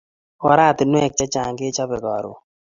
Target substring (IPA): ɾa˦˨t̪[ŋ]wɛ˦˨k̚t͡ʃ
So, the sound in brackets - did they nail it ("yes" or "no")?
no